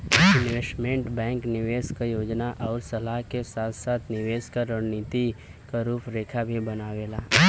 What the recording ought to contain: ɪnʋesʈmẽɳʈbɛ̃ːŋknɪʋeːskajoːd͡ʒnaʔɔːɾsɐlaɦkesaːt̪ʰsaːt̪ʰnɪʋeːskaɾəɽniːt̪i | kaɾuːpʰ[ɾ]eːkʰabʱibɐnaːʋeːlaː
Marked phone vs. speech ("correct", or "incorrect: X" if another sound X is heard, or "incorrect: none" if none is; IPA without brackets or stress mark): correct